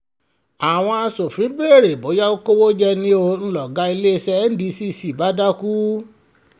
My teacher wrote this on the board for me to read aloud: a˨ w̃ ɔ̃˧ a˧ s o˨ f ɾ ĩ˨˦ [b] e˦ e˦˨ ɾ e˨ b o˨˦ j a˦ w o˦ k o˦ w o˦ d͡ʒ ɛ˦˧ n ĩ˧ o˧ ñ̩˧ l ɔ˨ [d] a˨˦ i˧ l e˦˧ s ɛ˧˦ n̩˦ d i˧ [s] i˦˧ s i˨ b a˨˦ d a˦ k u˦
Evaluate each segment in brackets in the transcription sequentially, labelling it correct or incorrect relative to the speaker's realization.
correct, incorrect: ɡ, correct

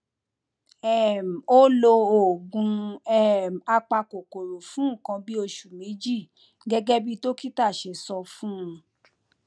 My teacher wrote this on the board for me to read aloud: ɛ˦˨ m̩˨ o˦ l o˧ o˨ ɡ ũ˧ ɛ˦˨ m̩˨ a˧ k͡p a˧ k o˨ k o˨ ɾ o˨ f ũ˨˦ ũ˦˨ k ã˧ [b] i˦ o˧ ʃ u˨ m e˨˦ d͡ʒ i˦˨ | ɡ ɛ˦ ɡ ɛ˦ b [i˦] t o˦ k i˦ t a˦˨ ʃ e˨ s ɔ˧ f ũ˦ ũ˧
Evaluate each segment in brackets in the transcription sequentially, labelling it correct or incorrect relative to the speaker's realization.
correct, correct

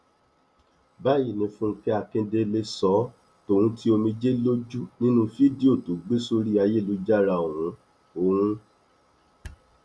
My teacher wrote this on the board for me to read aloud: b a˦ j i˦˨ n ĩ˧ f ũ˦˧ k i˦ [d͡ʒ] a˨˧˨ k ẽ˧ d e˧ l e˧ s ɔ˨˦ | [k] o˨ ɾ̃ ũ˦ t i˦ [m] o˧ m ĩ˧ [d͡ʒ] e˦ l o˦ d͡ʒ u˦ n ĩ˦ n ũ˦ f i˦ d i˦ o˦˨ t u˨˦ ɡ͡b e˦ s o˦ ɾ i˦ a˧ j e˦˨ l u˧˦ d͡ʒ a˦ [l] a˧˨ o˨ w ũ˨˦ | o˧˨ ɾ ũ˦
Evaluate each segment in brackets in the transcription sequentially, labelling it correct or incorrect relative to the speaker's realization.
incorrect: none, incorrect: t, incorrect: none, correct, incorrect: ɾ

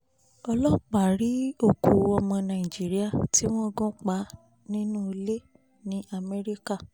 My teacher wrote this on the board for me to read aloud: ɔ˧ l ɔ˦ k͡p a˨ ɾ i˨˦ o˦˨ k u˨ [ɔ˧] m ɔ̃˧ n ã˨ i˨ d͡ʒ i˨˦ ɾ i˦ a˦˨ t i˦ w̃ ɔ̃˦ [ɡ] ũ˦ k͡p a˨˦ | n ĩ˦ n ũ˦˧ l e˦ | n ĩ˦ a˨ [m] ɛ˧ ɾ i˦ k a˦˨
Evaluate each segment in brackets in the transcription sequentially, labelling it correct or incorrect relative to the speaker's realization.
correct, correct, correct

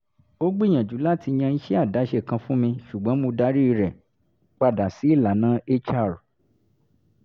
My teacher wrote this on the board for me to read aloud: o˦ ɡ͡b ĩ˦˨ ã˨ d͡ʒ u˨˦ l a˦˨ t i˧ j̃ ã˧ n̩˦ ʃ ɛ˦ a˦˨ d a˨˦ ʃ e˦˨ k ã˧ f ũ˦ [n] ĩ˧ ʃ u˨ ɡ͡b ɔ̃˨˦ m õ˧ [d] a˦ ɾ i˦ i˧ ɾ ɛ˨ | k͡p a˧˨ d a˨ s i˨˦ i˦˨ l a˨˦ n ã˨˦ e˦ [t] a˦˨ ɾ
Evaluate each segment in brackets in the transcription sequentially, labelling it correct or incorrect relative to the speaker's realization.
incorrect: m, correct, incorrect: t͡ʃ

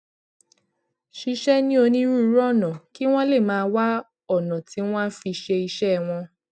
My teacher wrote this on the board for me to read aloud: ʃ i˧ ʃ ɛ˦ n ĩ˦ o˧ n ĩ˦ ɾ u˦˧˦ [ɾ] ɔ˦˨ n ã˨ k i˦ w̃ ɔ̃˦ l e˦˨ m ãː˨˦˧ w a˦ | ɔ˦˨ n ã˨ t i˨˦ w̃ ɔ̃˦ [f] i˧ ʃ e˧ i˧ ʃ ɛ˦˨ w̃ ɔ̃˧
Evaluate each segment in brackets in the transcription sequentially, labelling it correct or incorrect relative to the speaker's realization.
correct, correct

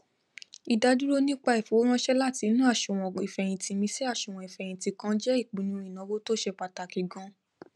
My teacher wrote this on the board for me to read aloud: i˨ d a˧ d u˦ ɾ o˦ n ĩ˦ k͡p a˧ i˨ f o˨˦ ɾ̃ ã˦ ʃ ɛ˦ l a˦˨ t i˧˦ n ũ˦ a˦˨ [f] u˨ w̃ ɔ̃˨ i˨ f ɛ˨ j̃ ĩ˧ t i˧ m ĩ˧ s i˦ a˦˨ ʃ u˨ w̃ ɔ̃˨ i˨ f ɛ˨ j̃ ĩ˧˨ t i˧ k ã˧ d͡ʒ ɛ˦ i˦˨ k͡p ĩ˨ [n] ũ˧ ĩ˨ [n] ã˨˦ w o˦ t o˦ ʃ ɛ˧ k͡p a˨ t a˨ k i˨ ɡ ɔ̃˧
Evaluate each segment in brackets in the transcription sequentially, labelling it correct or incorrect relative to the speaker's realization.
incorrect: ʃ, correct, correct

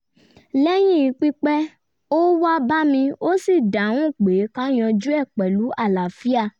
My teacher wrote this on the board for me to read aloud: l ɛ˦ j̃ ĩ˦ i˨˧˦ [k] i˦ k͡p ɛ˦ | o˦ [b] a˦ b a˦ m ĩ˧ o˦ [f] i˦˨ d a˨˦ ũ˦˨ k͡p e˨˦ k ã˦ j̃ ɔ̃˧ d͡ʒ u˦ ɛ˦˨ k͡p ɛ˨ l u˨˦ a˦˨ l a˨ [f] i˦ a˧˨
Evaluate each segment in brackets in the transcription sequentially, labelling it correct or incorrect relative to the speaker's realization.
incorrect: k͡p, incorrect: w, incorrect: s, correct

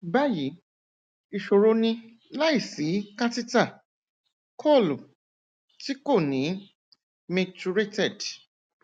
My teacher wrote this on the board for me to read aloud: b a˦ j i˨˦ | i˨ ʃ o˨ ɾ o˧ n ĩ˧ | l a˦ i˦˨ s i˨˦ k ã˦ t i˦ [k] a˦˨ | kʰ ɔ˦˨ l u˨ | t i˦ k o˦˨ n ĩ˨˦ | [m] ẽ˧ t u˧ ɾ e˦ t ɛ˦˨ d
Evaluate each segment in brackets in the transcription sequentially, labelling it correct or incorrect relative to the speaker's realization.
incorrect: t, correct

